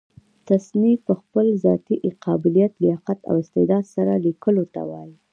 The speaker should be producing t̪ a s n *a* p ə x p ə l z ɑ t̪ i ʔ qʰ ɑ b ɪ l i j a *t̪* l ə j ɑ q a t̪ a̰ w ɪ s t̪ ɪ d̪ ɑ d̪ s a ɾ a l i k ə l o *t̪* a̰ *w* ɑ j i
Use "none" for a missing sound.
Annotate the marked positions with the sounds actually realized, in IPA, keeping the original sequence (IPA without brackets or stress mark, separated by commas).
i, t̪, t̪, w